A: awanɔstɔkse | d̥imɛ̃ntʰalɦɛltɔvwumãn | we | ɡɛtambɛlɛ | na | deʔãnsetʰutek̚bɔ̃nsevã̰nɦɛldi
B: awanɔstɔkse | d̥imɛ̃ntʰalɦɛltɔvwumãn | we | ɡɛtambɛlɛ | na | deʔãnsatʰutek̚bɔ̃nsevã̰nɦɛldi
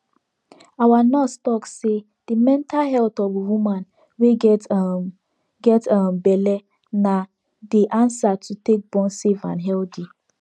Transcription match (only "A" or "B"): B